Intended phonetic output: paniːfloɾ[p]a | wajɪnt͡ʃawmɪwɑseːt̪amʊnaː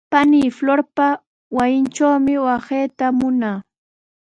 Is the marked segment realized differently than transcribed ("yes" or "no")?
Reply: no